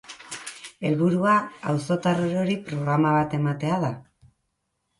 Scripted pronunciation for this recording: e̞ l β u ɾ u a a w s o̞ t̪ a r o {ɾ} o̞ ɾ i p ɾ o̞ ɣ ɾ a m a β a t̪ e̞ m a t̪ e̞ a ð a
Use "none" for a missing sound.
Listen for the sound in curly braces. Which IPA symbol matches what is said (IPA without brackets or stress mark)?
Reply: ɾ